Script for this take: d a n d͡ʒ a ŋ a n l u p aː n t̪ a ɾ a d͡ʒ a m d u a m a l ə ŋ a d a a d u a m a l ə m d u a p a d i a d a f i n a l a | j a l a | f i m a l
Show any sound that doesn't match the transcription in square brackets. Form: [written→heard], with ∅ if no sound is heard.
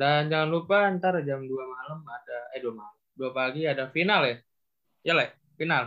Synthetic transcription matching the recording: d a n d͡ʒ a ŋ a n l u p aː n t̪ a ɾ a d͡ʒ a m d u a m a l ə [ŋ→m] a d a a d u a m a l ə m d u a p a [d→ɡ] i a d a f i n a l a | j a l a | f i [m→n] a l